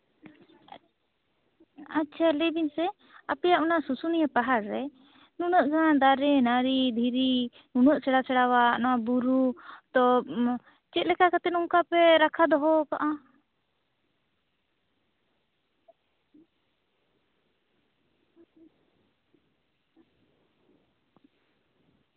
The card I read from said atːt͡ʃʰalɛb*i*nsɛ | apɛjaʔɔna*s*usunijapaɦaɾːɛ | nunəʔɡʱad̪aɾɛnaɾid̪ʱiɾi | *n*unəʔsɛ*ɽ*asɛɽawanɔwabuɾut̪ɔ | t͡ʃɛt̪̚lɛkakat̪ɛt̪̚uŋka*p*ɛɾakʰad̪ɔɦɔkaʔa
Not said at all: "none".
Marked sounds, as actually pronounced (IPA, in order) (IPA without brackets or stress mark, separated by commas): i, s, n, ɽ, p